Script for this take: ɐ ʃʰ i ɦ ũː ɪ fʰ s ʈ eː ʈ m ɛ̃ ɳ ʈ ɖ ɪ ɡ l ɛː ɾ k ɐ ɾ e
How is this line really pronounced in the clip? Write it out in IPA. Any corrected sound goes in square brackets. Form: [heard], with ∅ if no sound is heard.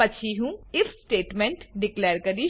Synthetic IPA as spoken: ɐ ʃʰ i ɦ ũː ɪ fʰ s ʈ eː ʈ m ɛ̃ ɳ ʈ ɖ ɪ [k] l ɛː ɾ k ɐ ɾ [i]